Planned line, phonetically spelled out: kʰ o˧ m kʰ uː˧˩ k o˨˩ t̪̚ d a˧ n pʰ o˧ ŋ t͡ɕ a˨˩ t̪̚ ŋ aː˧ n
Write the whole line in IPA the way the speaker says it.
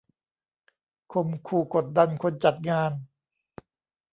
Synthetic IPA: kʰ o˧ m kʰ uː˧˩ k o˨˩ t̪̚ d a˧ n kʰ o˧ n t͡ɕ a˨˩ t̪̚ ŋ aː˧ n